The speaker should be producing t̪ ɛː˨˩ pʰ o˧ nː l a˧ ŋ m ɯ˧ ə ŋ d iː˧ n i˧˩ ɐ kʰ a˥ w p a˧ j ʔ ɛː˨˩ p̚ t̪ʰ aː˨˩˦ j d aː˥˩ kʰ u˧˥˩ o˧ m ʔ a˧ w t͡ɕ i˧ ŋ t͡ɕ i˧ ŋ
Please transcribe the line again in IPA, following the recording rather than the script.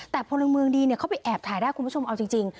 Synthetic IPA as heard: t̪ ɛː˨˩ pʰ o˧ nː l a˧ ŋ m ɯ˧ ə ŋ d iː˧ n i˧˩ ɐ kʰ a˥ w p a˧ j ʔ ɛː˨˩ p̚ t̪ʰ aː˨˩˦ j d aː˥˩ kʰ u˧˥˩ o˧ m ʔ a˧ w t͡ɕ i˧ ŋ t͡ɕ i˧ ŋ